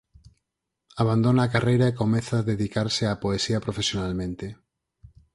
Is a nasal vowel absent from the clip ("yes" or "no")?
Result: no